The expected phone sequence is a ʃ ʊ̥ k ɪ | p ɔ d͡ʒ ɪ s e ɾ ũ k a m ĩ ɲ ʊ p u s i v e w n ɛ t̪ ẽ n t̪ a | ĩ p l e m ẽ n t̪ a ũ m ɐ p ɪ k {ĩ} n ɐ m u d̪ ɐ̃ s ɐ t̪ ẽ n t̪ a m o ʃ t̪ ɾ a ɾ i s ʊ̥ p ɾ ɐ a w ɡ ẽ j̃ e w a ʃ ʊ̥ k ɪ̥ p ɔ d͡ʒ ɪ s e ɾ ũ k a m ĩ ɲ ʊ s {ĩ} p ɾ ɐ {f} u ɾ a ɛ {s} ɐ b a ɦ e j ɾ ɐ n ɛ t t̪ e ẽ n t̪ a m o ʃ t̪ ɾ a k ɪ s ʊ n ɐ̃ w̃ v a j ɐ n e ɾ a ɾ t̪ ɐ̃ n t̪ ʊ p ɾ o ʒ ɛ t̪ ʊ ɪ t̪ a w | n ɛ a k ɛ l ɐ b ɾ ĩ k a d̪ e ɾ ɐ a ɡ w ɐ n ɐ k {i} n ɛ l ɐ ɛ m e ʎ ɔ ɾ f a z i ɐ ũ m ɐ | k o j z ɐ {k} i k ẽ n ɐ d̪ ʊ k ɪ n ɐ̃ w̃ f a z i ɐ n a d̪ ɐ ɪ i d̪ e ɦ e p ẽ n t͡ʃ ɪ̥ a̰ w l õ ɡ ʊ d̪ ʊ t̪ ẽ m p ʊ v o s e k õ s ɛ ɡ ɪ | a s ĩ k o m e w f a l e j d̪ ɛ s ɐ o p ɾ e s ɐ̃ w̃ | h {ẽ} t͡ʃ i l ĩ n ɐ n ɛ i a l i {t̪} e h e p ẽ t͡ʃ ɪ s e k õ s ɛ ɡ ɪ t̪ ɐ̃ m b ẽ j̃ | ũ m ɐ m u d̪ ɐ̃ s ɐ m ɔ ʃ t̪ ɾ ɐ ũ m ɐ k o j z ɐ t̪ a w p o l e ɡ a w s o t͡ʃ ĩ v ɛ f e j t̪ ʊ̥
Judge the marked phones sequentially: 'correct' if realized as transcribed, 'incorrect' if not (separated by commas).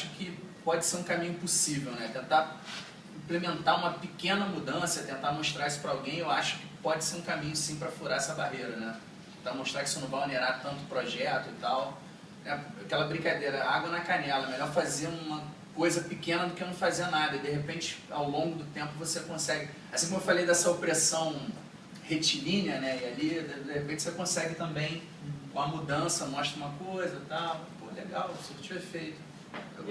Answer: incorrect, correct, correct, correct, incorrect, incorrect, incorrect, incorrect